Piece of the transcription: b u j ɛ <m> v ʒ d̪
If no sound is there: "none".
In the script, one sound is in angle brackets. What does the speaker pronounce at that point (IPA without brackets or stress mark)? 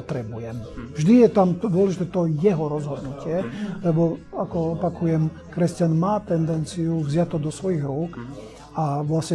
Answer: m